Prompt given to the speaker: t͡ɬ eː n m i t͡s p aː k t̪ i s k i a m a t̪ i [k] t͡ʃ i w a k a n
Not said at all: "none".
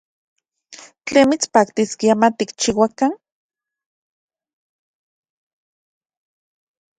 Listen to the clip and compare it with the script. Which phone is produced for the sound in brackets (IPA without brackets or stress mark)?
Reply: k